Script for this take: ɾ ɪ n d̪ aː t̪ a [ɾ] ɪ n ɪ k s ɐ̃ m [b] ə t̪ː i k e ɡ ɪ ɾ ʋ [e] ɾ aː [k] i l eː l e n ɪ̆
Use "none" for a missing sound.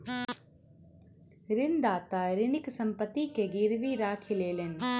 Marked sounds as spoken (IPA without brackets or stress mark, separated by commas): ɾ, p, i, kʰ